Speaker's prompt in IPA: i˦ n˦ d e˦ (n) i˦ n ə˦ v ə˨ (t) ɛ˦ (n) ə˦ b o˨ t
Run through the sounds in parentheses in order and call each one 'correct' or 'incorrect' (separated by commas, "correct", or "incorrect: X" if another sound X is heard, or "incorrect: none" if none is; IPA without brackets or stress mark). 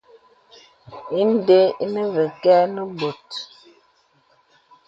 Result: incorrect: none, incorrect: k, correct